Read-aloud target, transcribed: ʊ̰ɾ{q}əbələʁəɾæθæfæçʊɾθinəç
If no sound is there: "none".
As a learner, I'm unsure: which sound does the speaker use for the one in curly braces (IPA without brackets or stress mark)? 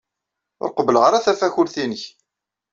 q